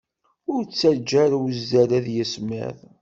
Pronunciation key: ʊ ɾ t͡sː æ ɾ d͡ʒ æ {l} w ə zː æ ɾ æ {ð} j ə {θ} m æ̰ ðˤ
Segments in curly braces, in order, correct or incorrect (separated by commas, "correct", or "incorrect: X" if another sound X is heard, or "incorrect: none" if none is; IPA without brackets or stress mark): incorrect: ɾ, correct, incorrect: s